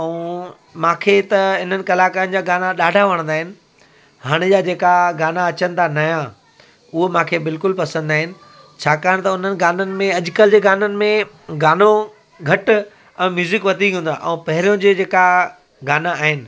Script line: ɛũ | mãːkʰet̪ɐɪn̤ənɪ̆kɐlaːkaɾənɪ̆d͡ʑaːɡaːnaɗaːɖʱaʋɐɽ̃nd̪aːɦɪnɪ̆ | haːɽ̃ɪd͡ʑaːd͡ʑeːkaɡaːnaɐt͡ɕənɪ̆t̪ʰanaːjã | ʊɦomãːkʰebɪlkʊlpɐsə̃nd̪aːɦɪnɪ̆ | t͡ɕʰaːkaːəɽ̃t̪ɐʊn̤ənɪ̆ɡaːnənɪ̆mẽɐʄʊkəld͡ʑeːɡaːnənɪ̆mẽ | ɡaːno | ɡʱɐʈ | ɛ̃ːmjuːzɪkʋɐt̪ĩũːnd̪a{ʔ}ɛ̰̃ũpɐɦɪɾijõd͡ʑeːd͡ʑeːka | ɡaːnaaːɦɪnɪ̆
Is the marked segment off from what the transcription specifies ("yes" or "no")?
no